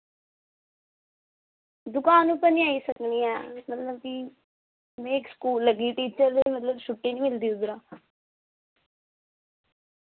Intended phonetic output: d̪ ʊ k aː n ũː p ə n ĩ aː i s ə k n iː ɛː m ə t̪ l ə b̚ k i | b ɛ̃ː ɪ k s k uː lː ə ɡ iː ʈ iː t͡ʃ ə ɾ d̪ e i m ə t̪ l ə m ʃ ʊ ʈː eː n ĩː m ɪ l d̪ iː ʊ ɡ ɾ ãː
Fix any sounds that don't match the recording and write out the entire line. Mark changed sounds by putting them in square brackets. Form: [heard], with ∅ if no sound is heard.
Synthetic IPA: d̪ ʊ k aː n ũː p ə n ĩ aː i s ə k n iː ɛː m ə t̪ l ə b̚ k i | [m] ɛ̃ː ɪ k s k uː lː ə ɡ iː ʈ iː t͡ʃ ə ɾ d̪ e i m ə t̪ l ə [b] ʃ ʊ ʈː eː n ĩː m ɪ l d̪ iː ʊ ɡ ɾ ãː